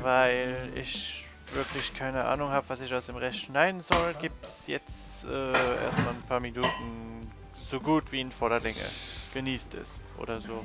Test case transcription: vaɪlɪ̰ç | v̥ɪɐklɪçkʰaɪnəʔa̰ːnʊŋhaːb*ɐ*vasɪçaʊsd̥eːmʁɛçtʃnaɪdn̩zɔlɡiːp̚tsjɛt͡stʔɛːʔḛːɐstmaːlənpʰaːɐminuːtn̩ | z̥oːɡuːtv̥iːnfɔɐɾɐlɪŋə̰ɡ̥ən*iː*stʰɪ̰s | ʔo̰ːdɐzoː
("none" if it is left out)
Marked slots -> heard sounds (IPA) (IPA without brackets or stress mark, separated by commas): ə, iː